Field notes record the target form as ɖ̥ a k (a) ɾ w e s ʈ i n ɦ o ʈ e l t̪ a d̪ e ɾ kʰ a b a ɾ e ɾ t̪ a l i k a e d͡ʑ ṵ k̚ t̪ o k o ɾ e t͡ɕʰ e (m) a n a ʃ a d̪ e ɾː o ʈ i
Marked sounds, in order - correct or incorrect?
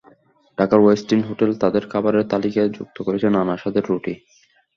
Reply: correct, incorrect

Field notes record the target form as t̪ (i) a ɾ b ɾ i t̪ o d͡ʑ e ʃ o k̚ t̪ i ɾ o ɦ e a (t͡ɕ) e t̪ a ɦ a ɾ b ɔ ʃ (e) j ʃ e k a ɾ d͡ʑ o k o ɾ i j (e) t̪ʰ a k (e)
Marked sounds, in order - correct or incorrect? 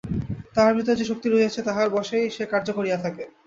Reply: incorrect, incorrect, correct, incorrect, correct

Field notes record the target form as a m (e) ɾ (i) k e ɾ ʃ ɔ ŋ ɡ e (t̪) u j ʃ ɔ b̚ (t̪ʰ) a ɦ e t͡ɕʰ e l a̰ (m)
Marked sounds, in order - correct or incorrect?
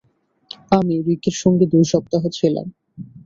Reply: incorrect, correct, incorrect, incorrect, correct

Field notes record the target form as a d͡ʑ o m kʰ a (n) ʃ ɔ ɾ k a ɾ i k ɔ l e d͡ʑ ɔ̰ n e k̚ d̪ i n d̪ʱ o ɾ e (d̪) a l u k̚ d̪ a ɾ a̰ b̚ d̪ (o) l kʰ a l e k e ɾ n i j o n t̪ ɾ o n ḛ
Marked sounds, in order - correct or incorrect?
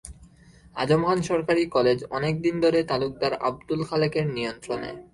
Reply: correct, incorrect, incorrect

